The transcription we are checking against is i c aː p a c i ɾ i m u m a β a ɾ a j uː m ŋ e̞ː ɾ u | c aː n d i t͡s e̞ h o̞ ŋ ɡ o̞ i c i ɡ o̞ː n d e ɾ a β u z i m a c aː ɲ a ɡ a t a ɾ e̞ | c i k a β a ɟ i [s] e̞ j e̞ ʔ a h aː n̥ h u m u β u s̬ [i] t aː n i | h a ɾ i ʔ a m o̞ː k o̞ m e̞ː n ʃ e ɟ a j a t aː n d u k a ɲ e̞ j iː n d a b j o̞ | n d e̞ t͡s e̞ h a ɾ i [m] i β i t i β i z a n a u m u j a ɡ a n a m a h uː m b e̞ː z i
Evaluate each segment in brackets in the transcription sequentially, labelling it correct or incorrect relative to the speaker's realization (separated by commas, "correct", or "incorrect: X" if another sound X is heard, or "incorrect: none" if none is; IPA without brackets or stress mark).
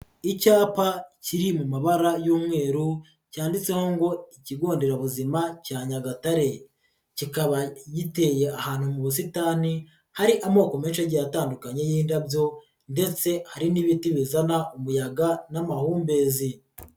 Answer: incorrect: t, correct, incorrect: n